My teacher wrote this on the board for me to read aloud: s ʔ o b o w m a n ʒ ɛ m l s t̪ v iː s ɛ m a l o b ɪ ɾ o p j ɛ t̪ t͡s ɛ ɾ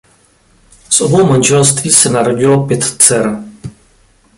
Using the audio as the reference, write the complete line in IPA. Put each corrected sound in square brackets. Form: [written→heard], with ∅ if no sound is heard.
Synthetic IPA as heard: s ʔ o b o w m a n ʒ ɛ [m→∅] l s t̪ v iː s ɛ [m→n] a [l→ɾ] o [b→ɟ] ɪ [ɾ→l] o p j ɛ t̪ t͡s ɛ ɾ